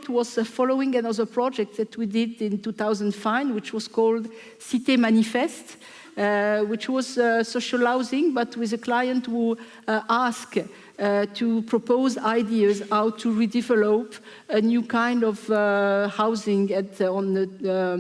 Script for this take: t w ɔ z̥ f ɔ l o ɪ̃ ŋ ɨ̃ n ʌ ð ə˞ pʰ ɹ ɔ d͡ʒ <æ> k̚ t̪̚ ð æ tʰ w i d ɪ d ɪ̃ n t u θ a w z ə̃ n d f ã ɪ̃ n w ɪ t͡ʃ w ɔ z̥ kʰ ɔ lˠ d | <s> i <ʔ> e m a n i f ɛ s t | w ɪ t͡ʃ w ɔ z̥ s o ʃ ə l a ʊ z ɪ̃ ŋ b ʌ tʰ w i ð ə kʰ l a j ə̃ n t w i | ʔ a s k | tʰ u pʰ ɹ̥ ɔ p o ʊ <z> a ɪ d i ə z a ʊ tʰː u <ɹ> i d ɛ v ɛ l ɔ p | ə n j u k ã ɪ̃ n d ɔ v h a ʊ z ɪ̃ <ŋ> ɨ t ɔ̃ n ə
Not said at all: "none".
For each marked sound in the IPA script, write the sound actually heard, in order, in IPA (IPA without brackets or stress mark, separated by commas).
ɛ, s, t, z, ɹ, ŋ